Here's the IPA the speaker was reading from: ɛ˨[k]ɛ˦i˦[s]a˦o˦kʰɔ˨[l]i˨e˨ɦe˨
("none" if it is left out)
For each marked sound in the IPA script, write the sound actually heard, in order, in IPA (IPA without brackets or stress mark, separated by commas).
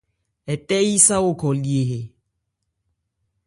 t, s, l